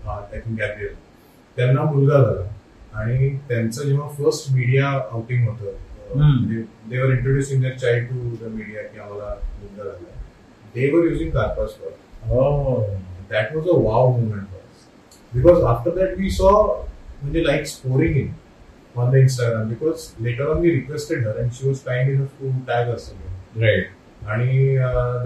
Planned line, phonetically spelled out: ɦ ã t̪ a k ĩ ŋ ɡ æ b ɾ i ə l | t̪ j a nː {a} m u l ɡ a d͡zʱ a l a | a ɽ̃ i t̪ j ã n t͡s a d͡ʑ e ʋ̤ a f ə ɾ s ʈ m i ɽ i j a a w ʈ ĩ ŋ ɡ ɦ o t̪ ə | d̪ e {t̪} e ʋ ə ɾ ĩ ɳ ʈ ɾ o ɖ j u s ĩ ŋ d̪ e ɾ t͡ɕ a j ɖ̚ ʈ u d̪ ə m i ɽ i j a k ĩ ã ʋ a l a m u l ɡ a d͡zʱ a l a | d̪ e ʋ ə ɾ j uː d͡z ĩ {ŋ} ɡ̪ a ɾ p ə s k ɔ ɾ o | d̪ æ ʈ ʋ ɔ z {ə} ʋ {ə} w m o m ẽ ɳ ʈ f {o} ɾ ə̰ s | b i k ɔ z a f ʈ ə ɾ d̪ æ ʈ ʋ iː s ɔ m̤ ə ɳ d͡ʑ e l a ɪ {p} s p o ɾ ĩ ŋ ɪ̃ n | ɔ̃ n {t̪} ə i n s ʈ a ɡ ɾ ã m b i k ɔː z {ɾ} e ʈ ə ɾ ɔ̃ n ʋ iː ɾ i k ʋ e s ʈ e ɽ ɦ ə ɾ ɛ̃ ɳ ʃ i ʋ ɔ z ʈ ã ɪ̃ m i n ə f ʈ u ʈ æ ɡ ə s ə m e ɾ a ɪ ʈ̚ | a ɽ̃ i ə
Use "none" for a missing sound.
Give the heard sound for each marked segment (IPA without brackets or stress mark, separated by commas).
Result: a, d̪, ŋ, ə, a, ɔ, k, d̪, l